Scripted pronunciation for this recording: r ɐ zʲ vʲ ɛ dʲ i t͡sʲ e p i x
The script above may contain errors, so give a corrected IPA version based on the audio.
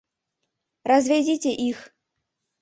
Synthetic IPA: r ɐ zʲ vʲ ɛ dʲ i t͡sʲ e ʔ i x